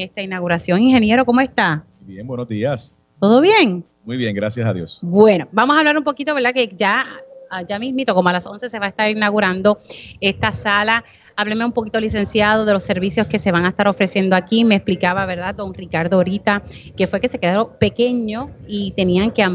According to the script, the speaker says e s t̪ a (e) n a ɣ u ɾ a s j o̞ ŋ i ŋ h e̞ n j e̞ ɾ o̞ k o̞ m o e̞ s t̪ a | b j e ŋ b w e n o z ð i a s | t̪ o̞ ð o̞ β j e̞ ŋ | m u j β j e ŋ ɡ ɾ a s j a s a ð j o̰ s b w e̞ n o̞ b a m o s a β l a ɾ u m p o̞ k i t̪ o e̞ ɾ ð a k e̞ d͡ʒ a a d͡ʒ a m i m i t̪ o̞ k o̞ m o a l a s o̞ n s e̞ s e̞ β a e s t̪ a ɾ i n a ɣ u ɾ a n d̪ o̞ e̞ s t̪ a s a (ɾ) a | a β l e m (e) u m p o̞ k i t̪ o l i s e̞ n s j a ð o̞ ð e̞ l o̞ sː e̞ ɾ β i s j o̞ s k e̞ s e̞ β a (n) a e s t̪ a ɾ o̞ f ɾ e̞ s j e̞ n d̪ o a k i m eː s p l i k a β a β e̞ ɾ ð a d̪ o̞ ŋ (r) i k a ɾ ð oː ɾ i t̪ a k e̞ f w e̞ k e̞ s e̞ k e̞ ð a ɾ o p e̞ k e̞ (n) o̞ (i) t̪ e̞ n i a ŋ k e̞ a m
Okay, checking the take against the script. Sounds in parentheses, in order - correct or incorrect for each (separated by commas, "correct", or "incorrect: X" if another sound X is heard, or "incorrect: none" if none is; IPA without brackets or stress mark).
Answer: incorrect: i, incorrect: l, correct, incorrect: ŋ, correct, incorrect: ɲ, correct